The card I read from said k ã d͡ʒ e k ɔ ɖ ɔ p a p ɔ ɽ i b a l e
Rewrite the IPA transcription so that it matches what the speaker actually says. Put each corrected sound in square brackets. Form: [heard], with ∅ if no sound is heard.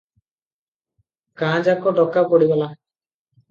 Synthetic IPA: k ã d͡ʒ [a] k ɔ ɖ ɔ [k] a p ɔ ɽ i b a l [a]